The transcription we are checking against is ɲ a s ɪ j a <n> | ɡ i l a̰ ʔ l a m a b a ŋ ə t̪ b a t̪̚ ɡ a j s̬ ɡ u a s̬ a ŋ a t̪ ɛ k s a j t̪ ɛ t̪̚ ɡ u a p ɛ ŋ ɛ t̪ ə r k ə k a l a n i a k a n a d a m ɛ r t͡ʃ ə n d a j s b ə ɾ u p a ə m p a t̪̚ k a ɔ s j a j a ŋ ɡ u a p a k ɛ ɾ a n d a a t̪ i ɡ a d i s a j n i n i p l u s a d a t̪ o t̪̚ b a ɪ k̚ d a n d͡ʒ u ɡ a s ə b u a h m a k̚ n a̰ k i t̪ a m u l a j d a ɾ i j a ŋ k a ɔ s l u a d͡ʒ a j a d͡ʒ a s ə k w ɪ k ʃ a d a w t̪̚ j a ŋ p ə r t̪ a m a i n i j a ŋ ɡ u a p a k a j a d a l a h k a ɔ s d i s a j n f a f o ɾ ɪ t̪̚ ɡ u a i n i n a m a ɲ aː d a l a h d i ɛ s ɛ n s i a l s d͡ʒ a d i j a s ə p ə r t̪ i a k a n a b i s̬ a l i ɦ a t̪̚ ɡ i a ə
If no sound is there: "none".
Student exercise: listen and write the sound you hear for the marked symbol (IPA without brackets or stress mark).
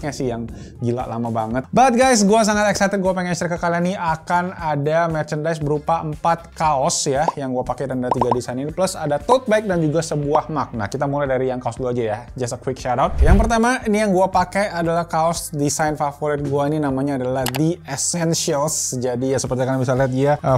ŋ